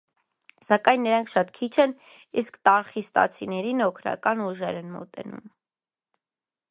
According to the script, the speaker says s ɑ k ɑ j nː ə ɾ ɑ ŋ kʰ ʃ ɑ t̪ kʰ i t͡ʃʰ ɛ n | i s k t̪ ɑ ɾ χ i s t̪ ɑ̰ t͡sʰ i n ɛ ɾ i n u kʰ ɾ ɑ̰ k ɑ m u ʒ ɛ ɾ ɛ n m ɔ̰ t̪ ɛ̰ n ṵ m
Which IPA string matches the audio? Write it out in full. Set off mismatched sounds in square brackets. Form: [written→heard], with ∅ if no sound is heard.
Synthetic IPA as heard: s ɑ k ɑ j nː ə ɾ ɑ ŋ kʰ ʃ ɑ t̪ kʰ i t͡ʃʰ ɛ n | i s k t̪ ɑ ɾ χ i s t̪ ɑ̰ t͡sʰ i n ɛ ɾ i n [u→ɔ] kʰ ɾ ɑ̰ k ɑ [m→n] u ʒ ɛ ɾ ɛ n m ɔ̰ t̪ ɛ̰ n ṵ m

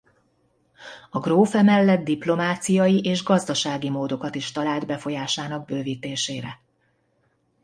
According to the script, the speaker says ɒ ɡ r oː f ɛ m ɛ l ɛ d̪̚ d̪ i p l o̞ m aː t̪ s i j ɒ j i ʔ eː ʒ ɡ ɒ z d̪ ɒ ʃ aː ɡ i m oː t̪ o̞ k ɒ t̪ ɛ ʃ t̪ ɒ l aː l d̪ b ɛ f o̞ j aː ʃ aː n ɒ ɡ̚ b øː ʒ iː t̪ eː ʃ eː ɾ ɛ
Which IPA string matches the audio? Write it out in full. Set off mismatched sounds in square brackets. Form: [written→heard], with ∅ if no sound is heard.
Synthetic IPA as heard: ɒ ɡ r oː f ɛ m ɛ [l→lː] ɛ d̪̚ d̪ i p l o̞ m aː t̪ s i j ɒ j i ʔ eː ʒ ɡ ɒ z d̪ ɒ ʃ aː ɡ i m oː [t̪→d̪] o̞ k ɒ t̪ [ɛ→i] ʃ t̪ ɒ l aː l d̪ b ɛ f o̞ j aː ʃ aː n ɒ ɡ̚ b øː [ʒ→v] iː t̪ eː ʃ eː ɾ ɛ

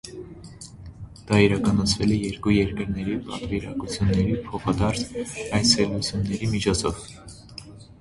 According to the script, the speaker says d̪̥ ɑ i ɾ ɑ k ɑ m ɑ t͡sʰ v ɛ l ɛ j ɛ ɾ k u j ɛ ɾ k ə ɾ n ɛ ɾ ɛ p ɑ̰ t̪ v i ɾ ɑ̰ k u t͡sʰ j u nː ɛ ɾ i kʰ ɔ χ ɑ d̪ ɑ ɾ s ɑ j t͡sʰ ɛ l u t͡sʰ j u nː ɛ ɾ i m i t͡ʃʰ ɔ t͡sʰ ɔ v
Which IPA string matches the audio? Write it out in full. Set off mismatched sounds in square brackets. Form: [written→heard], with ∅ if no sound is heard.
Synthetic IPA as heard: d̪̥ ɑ i ɾ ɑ k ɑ [m→n] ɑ t͡sʰ v ɛ l ɛ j ɛ ɾ k u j ɛ ɾ k ə ɾ n ɛ ɾ [ɛ→i] p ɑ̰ t̪ v i ɾ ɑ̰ k u t͡sʰ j u nː ɛ ɾ i [kʰ→pʰ] ɔ χ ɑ d̪ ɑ ɾ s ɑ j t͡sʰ ɛ l u t͡sʰ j u nː ɛ ɾ i m i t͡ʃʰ ɔ t͡sʰ ɔ v

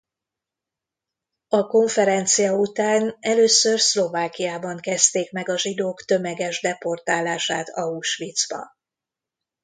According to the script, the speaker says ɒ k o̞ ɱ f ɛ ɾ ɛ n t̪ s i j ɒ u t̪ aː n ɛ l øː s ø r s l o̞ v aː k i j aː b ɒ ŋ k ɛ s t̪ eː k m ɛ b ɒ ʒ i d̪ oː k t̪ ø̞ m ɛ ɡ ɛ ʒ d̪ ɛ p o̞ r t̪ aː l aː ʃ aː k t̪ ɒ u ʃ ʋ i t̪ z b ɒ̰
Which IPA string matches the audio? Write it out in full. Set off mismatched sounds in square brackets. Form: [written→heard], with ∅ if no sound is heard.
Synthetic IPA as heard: ɒ k o̞ ɱ f ɛ ɾ ɛ n t̪ s i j ɒ u t̪ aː n ɛ l øː s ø r s l o̞ v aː k i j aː b ɒ ŋ k ɛ s t̪ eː k m ɛ [b→ɡ] ɒ ʒ i d̪ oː k t̪ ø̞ m ɛ ɡ ɛ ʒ d̪ ɛ p o̞ r t̪ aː l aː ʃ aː [k→∅] t̪ ɒ u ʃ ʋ i t̪ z b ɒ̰

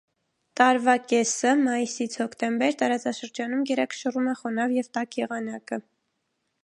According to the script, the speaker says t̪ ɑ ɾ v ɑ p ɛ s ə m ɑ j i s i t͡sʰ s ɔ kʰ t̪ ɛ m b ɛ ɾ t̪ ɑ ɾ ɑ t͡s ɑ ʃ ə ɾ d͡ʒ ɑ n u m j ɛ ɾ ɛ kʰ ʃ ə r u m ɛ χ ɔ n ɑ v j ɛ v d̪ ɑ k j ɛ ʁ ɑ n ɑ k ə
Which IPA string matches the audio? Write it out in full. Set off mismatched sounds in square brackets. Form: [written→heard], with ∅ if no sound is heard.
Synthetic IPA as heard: t̪ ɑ ɾ v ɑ [p→k] ɛ s ə m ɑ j i s i t͡sʰ [s→h] ɔ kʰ t̪ ɛ m b ɛ ɾ t̪ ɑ ɾ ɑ t͡s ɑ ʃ ə ɾ d͡ʒ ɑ n u m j ɛ ɾ ɛ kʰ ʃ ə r u m ɛ χ ɔ n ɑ v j ɛ v [d̪→t̪] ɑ k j ɛ ʁ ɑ n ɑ k ə

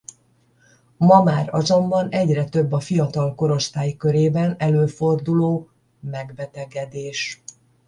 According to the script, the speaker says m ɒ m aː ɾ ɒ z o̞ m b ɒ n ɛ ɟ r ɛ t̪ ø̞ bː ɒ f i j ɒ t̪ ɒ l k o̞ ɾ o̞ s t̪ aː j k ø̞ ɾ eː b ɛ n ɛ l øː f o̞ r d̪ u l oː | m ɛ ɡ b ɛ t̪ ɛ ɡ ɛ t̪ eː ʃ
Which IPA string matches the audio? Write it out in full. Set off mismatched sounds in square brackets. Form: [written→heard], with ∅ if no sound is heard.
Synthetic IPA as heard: m ɒ m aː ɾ ɒ z o̞ m b ɒ n ɛ ɟ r ɛ t̪ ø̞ bː ɒ f i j ɒ t̪ ɒ l k o̞ ɾ o̞ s t̪ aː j k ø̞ ɾ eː b ɛ n ɛ l øː f o̞ r d̪ u l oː | m ɛ ɡ b ɛ t̪ ɛ ɡ ɛ [t̪→d̪] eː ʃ

